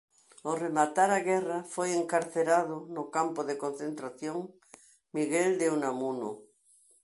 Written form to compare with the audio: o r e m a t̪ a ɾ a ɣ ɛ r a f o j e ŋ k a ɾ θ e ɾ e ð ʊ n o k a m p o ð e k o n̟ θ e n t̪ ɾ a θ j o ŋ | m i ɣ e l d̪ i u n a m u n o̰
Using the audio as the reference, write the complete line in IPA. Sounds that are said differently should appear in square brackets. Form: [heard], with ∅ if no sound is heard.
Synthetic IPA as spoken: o r e m a t̪ a ɾ a ɣ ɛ r a f o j e ŋ k a ɾ θ e ɾ [a] ð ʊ n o k a m p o ð e k o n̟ θ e n t̪ ɾ a θ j o ŋ | m i ɣ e l d̪ [e] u n a m u n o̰